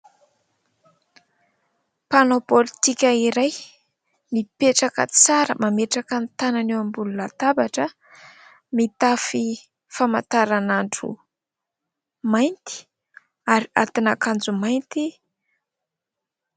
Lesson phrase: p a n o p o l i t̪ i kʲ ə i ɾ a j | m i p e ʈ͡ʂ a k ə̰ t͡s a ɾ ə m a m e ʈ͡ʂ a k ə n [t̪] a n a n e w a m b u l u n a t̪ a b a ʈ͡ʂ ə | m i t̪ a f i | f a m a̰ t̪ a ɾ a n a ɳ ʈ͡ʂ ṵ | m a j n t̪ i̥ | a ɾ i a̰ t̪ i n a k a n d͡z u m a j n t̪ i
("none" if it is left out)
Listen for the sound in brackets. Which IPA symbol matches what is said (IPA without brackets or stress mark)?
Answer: t̪